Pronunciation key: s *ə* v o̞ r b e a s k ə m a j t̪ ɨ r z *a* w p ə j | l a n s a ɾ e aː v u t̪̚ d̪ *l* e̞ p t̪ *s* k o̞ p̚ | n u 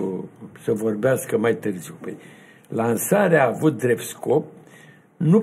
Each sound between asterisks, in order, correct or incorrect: correct, incorrect: i, incorrect: ɾ, correct

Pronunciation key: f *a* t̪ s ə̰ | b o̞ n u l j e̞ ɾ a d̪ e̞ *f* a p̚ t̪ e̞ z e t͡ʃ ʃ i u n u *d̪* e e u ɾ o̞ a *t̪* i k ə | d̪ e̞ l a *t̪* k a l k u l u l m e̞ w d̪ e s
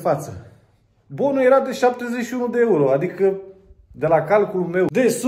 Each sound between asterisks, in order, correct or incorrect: correct, incorrect: ʃ, correct, incorrect: d̪, incorrect: none

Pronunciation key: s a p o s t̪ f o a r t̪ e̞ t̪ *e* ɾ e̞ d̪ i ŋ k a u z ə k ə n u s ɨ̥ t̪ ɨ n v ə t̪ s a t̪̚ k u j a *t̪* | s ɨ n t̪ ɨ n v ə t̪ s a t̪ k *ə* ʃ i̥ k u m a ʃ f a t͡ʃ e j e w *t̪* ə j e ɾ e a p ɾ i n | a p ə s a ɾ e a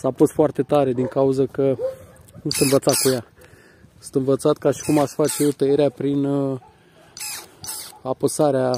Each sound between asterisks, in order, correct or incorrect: incorrect: a, incorrect: none, incorrect: a, correct

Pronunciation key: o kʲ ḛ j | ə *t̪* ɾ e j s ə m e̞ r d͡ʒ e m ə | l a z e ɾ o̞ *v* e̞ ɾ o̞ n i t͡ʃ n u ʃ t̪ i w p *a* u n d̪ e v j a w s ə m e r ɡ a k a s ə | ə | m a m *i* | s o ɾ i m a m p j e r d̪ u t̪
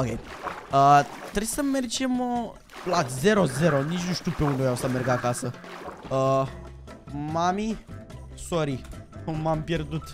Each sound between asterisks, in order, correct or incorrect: correct, incorrect: z, incorrect: e, correct

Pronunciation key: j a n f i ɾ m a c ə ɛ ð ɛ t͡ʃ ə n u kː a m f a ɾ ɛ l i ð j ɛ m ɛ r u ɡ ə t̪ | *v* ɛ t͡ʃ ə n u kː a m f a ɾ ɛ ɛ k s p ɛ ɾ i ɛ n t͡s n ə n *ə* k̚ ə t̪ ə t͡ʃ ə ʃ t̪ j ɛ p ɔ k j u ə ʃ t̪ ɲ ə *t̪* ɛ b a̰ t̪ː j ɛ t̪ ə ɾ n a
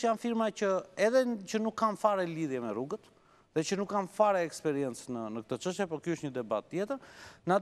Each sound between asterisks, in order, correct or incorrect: incorrect: ð, correct, incorrect: d̪

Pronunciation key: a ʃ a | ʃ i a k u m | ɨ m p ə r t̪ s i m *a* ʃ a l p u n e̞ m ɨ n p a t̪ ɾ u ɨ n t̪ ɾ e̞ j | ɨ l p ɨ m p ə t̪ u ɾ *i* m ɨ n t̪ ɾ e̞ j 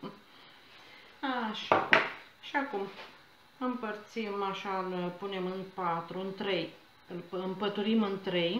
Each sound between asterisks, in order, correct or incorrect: correct, correct

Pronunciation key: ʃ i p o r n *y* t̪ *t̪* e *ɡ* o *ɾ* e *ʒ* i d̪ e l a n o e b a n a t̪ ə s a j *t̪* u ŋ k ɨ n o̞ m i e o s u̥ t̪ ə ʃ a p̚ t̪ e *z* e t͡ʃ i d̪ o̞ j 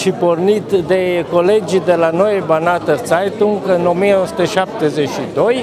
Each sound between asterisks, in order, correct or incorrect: incorrect: i, incorrect: d̪, incorrect: k, incorrect: l, incorrect: d͡ʒ, correct, correct

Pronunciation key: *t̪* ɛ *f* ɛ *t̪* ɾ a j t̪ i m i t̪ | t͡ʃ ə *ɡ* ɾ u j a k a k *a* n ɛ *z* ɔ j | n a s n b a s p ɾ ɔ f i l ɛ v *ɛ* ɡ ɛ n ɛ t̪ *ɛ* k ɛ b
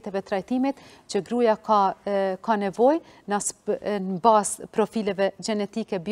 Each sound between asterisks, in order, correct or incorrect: correct, incorrect: v, correct, correct, correct, incorrect: v, correct, incorrect: i

